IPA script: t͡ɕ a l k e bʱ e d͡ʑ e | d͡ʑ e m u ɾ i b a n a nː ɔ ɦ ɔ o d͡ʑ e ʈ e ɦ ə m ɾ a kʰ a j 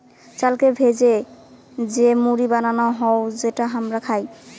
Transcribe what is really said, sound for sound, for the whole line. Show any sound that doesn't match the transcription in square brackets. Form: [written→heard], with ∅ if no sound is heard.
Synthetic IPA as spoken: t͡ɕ a l k e bʱ e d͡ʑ e | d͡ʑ e m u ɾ i b a n a [nː→n] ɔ ɦ ɔ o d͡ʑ e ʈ [e→a] ɦ [ə→a] m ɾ a kʰ a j